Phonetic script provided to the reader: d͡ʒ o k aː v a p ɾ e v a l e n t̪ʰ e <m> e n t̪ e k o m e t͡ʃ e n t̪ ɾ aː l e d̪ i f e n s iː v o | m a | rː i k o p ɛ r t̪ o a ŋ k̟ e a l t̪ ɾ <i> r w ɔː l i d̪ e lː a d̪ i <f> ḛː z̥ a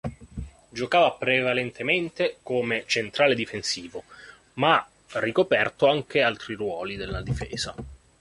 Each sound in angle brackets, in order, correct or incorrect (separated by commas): correct, correct, correct